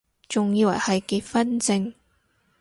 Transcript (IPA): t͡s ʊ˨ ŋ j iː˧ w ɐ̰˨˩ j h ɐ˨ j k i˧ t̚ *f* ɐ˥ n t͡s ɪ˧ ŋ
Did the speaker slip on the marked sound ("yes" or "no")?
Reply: no